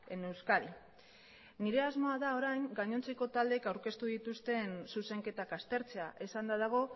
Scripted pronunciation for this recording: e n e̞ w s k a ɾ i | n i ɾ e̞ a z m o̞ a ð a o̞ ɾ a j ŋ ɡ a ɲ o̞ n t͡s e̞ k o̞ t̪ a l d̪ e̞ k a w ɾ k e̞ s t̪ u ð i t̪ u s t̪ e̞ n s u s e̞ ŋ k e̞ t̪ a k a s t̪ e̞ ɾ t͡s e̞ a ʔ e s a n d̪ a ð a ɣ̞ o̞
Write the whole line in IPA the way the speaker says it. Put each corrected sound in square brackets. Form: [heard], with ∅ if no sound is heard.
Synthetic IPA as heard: e n e̞ w s k a ɾ i | n i ɾ e̞ a z m o̞ a ð a o̞ ɾ a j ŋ ɡ a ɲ o̞ n t͡s e̞ k o̞ t̪ a l d̪ e̞ k a w ɾ k e̞ s t̪ u ð i t̪ u s t̪ e̞ n s u s e̞ ŋ k e̞ t̪ a k a s t̪ e̞ ɾ t͡s e̞ a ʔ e s a n d̪ a ð a ɣ̞ o̞

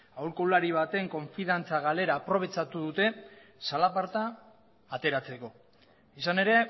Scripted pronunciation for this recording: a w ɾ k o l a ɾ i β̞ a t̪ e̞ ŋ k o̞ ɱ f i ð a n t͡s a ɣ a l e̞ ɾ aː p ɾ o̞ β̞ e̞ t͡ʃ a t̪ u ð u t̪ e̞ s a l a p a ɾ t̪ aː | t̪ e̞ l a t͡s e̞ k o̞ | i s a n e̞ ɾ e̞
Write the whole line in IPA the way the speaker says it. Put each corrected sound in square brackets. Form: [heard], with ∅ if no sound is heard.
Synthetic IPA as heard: a w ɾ k o l a ɾ i β̞ a t̪ e̞ ŋ k o̞ ɱ f i ð a n t͡s a ɣ a l e̞ ɾ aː p ɾ o̞ β̞ e̞ t͡ʃ a t̪ u ð u t̪ e̞ s a l a p a ɾ t̪ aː | t̪ e̞ [ɾ] a t͡s e̞ k o̞ | i s a n e̞ ɾ e̞

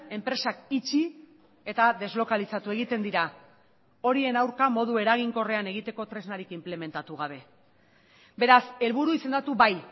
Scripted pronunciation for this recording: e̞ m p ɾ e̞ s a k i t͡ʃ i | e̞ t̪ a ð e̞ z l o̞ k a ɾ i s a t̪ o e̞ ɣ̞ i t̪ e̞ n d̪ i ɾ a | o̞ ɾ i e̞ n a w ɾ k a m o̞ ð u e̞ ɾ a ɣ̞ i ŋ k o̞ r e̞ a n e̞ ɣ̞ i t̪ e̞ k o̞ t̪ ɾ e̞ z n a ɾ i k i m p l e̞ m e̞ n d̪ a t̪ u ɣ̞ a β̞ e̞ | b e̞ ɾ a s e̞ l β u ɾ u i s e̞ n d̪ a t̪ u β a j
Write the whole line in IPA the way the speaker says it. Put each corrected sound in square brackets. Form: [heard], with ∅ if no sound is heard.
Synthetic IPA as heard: e̞ m p ɾ e̞ s a k i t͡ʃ i | e̞ t̪ a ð e̞ z l o̞ k a [l] i s a t̪ [u] e̞ ɣ̞ i t̪ e̞ n d̪ i ɾ a | o̞ ɾ i e̞ n a w ɾ k a m o̞ ð u e̞ ɾ a ɣ̞ i ŋ k o̞ r e̞ a n e̞ ɣ̞ i t̪ e̞ k o̞ t̪ ɾ e̞ z n a ɾ i k i m p l e̞ m e̞ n [t̪] a t̪ u ɣ̞ a β̞ e̞ | b e̞ ɾ a s e̞ l β u ɾ u i s e̞ n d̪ a t̪ u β a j

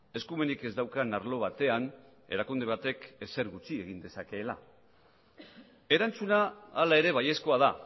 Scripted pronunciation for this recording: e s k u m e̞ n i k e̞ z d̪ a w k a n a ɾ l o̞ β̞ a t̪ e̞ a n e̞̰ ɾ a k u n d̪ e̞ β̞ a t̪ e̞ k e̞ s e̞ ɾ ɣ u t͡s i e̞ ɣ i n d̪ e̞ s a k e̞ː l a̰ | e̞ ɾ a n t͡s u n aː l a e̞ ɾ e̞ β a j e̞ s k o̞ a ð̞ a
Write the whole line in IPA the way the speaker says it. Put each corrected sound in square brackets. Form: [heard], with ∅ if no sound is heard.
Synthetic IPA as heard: e s k u m e̞ n i k e̞ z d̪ a w k a n a ɾ l o̞ β̞ a t̪ e̞ a n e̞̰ ɾ a k u n d̪ e̞ β̞ a t̪ e̞ k e̞ s e̞ ɾ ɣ u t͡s i e̞ ɣ i n d̪ e̞ s a k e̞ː l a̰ | e̞ ɾ a n t͡s u n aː l a e̞ ɾ e̞ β a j e̞ s k o̞ a ð̞ a

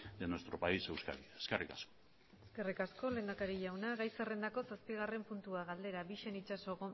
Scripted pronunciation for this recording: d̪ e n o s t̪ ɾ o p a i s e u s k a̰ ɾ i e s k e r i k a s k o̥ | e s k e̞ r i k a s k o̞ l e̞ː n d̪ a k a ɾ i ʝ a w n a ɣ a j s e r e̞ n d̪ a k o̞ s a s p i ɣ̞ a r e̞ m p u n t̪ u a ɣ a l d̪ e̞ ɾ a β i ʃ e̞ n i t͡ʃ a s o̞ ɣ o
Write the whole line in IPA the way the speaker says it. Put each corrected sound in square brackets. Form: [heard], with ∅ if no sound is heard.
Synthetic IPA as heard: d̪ e n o s t̪ ɾ o p a i s e [w] s k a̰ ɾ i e s k e r i k a s k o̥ | e s k e̞ r i k a s k o̞ l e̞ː n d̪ a k a ɾ i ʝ a w n a ɣ a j s e r e̞ n d̪ a k o̞ s a s p i ɣ̞ a r e̞ m p u n t̪ u a ɣ a l d̪ e̞ ɾ a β i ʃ e̞ n i t͡ʃ a s o̞ ɣ o

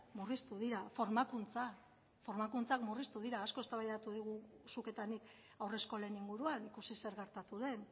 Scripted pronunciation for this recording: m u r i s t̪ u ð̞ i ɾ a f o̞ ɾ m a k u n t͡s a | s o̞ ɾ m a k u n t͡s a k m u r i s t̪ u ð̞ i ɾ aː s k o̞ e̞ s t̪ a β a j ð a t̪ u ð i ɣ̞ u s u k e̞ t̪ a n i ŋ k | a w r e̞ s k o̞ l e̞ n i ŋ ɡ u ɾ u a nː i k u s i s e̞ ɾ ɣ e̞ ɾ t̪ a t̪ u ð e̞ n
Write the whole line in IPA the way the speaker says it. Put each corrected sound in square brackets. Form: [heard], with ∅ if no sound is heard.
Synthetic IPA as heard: m u r i s t̪ u ð̞ i ɾ a f o̞ ɾ m a k u n t͡s a | [f] o̞ ɾ m a k u n t͡s a k m u r i s t̪ u ð̞ i ɾ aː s k o̞ e̞ s t̪ a β a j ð a t̪ u ð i ɣ̞ u s u k e̞ t̪ a n i [∅] k | a w r e̞ s k o̞ l e̞ n i ŋ ɡ u ɾ u a [n] i k u s i s e̞ ɾ ɣ e̞ ɾ t̪ a t̪ u ð e̞ n

